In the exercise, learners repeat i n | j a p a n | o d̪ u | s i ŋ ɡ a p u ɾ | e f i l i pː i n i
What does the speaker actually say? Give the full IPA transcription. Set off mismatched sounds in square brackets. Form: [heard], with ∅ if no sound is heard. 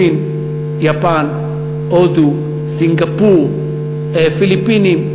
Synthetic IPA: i n | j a p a n | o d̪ u | s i ŋ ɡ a p u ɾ | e f i l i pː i n i